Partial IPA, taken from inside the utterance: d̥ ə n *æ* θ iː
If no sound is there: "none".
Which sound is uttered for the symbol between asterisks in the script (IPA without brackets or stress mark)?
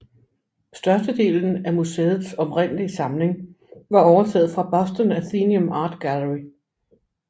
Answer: æ